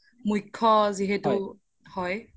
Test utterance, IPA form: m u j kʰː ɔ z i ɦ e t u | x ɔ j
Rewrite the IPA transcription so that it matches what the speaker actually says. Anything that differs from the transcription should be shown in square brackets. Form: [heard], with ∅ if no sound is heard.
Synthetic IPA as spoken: m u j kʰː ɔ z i ɦ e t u | [h] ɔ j

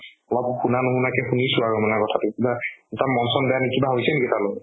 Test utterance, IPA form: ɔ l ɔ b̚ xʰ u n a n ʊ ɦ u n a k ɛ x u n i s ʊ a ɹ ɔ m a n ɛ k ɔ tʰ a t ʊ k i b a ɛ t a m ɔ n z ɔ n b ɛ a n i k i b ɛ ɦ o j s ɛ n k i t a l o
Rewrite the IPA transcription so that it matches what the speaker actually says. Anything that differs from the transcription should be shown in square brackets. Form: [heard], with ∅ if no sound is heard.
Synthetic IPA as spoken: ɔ l ɔ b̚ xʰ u n a n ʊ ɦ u n a k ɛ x u n i s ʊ a ɹ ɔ m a n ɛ k ɔ tʰ a t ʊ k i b a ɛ t a m ɔ n [s] ɔ n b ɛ a n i k i b [a] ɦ o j s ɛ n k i t a l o

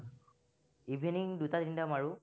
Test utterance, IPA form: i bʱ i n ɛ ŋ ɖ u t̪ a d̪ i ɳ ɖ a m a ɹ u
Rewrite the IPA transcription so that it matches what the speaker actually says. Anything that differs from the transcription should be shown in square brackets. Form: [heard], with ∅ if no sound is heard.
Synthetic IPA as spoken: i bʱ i n [i] ŋ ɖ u t̪ a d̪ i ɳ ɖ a m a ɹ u

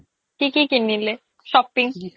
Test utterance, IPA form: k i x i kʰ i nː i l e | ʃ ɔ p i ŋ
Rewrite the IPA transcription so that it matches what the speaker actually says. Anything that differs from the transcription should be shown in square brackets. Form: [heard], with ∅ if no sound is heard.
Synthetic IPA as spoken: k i [k] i [k] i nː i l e | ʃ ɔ p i ŋ

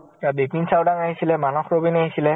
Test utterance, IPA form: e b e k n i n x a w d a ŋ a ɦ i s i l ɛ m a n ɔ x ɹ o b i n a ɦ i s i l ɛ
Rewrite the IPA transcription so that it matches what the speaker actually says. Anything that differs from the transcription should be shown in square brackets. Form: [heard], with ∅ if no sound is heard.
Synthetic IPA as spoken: [a] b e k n i n [s] a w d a ŋ a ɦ i s i l ɛ m a n ɔ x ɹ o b i n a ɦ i s i l ɛ

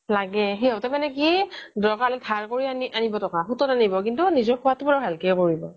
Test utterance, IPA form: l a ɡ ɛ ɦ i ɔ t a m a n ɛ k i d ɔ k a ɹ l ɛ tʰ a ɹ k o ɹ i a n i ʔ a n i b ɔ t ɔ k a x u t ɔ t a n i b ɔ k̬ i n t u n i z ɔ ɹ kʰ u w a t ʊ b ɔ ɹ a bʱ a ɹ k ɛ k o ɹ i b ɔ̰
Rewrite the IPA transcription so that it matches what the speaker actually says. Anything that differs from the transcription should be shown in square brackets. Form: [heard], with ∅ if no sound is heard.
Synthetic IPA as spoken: l a ɡ ɛ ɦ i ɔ t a m a n ɛ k i d ɔ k a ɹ l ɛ tʰ a ɹ k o ɹ i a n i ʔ a n i b ɔ t ɔ k a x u t ɔ t a n i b ɔ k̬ i n t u n i z ɔ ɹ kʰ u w a t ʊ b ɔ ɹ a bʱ a [l] k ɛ k o ɹ i b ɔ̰

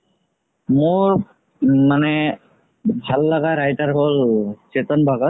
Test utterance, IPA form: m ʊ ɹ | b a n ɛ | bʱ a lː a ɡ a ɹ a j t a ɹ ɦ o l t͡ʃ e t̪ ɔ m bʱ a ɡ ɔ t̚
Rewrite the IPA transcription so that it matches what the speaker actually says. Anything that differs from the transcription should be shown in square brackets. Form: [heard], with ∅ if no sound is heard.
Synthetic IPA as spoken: m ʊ ɹ | [m] a n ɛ | bʱ a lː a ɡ a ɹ a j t a ɹ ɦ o l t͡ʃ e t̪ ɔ [n] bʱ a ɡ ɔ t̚

